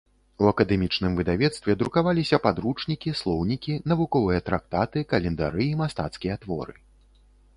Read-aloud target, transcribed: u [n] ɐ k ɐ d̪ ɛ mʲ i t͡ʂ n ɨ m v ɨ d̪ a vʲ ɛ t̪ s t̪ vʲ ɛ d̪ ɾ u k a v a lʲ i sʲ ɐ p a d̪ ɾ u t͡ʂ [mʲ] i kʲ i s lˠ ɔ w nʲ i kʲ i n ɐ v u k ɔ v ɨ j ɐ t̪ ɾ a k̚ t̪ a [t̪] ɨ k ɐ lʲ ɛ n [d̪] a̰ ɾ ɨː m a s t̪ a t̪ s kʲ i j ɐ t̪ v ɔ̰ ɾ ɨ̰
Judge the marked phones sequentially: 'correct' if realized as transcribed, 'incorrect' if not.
incorrect: none, incorrect: nʲ, correct, correct

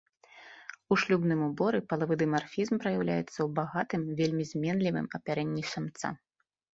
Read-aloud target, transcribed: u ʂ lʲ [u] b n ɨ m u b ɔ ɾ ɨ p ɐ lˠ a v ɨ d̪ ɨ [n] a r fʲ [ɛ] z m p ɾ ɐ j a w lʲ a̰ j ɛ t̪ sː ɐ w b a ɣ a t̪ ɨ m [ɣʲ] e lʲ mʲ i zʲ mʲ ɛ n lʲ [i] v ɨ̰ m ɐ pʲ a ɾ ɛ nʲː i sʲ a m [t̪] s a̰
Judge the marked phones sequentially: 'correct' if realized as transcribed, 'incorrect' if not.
correct, incorrect: m, incorrect: i, incorrect: vʲ, correct, correct

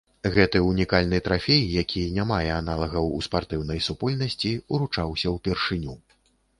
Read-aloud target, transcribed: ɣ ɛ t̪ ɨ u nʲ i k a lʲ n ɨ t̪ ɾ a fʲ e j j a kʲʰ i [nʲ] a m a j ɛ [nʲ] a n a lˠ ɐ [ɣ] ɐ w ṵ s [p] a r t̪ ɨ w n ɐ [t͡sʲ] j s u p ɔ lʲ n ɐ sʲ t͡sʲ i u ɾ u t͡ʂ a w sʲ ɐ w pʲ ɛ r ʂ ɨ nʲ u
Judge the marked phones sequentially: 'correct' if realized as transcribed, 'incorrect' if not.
correct, incorrect: none, correct, correct, incorrect: none

